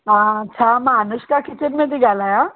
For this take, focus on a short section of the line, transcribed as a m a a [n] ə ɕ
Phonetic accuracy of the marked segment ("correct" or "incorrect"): correct